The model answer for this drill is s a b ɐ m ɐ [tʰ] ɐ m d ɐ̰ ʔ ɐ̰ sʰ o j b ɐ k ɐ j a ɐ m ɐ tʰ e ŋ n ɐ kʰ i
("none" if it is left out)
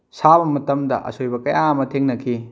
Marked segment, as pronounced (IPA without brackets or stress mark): t